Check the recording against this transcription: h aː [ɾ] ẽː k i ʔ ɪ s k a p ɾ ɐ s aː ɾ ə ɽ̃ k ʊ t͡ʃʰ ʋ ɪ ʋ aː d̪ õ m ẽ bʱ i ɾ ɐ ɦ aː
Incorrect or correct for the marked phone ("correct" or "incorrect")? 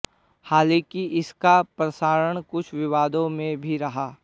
incorrect